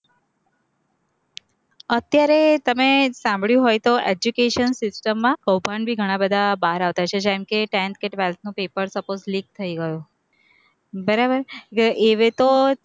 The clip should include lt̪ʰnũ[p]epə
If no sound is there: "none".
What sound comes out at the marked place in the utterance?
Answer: p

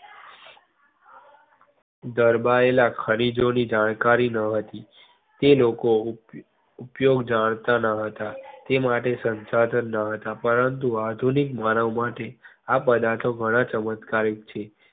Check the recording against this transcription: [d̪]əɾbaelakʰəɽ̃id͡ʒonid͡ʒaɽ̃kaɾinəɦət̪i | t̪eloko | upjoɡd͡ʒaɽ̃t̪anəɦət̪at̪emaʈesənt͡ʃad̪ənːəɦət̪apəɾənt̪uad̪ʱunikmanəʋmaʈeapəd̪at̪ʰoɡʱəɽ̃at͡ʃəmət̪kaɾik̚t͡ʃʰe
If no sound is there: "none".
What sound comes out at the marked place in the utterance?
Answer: d̪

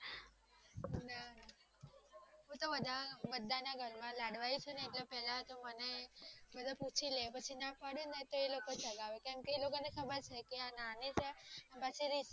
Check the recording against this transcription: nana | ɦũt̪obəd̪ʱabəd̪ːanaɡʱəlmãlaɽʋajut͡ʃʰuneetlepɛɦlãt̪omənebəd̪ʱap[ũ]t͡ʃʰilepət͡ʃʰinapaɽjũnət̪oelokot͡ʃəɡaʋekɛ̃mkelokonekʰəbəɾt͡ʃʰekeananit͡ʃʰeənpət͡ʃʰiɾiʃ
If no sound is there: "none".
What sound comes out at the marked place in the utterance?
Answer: u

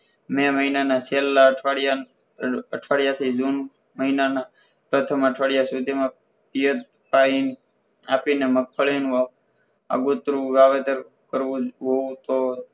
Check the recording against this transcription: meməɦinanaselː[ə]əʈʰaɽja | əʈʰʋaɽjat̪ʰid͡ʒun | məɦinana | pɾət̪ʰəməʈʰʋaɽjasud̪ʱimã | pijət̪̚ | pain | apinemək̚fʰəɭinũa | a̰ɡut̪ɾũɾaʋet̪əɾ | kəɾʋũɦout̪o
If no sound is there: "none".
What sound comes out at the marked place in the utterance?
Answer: a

